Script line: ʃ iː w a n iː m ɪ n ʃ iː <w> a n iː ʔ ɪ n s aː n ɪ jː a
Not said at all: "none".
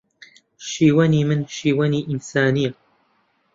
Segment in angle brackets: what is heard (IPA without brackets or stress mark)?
w